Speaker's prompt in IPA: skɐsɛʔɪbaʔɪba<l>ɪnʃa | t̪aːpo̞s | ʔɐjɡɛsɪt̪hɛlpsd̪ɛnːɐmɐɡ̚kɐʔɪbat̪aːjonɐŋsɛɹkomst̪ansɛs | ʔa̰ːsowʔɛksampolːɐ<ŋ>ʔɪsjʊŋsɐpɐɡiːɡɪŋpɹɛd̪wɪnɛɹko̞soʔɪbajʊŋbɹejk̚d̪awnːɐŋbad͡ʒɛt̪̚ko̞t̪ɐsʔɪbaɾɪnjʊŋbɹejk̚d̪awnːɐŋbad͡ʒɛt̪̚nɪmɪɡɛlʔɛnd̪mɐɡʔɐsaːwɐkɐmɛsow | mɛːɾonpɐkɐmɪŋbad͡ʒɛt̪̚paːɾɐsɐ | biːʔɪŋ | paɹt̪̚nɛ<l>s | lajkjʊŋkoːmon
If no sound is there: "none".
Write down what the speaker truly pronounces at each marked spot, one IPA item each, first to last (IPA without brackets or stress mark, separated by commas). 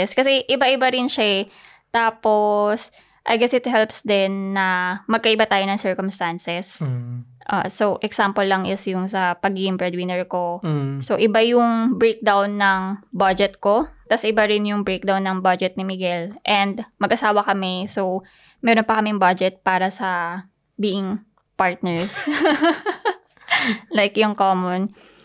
ɾ, ŋ, ɹ